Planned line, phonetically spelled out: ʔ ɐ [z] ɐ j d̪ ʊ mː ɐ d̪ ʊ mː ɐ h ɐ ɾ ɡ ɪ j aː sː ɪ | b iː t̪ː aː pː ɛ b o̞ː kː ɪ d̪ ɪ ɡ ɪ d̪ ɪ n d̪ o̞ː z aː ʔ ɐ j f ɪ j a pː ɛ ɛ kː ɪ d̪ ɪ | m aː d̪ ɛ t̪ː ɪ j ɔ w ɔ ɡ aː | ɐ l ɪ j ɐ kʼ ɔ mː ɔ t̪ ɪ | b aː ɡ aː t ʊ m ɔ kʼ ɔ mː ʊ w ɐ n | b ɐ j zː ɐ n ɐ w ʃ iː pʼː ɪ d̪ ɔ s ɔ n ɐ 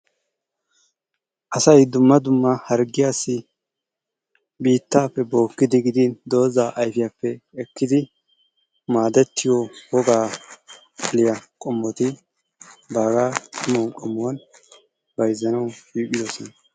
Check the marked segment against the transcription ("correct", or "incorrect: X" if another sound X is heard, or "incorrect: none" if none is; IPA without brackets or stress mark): incorrect: s